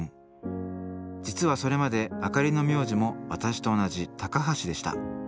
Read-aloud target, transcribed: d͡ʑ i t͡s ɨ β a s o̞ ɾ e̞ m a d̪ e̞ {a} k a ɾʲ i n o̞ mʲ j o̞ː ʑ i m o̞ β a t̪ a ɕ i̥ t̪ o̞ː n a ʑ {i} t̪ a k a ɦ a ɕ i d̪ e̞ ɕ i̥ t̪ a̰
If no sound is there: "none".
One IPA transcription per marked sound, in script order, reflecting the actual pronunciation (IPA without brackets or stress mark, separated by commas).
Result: a, i